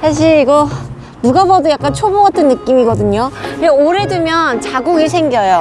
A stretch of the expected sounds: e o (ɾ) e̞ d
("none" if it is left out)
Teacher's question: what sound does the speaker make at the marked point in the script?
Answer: ɾ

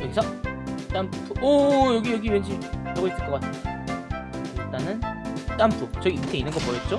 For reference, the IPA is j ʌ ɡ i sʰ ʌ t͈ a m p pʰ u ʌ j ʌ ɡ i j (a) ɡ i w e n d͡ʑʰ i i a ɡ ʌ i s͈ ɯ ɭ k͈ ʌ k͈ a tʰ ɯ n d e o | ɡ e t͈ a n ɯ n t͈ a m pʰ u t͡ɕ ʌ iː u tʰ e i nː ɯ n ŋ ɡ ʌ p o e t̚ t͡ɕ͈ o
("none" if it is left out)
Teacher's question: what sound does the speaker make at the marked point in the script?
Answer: ʌ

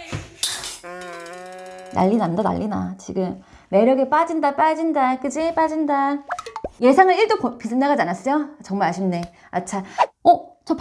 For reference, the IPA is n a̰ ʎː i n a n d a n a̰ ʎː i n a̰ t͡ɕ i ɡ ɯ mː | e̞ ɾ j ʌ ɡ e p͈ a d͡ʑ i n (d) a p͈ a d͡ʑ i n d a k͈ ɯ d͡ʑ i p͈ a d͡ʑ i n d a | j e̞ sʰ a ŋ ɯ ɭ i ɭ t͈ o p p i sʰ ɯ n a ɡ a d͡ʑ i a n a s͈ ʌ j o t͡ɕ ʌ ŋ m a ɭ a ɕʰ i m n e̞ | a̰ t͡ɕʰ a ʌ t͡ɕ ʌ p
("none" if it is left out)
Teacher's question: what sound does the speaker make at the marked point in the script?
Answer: d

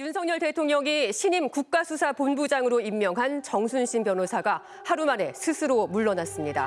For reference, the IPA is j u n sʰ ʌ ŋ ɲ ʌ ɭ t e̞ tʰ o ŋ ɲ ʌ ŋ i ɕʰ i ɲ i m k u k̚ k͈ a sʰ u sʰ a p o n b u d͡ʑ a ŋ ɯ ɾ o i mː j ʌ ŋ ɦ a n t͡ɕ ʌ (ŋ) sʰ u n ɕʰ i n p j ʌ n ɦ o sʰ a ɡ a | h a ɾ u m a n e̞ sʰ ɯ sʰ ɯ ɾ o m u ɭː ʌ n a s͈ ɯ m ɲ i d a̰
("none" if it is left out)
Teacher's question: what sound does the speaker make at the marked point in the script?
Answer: ŋ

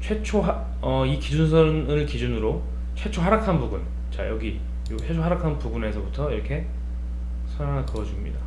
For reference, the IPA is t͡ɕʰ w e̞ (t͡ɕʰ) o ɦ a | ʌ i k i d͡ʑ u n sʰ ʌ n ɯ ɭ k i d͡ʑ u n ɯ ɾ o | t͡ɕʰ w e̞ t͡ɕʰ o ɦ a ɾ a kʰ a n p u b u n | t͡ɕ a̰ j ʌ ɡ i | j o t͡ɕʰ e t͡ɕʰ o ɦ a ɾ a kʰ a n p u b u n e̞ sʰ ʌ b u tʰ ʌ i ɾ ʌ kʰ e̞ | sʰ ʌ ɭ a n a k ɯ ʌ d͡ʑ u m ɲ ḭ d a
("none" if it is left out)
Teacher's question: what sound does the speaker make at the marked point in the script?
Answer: t͡ɕʰ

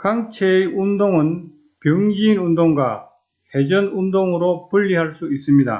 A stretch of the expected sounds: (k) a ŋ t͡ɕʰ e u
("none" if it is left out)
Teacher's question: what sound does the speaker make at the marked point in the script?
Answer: k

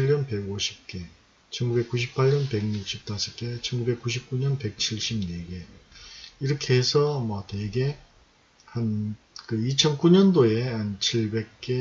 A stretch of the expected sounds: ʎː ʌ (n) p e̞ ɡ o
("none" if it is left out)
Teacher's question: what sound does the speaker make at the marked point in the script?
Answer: n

